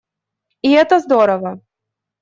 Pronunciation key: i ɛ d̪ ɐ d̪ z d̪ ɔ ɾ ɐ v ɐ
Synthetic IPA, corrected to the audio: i ɛ t̪ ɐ z d̪ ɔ ɾ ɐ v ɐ